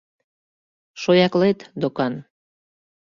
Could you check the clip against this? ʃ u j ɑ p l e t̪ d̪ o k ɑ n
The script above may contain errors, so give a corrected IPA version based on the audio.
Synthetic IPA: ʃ o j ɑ k l e t̪ d̪ o k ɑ n